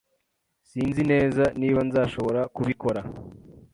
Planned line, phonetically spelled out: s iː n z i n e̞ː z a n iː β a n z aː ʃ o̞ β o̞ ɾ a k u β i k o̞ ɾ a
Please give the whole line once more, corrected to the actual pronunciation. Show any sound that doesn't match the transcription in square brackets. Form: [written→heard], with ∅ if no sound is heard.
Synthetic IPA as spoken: s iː n z i n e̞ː z a n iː β a n z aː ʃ o̞ β o̞ ɾ a k u β i k o̞ ɾ a